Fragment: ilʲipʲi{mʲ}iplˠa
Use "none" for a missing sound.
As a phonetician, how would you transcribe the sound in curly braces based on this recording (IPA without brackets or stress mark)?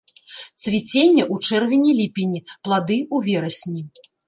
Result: nʲ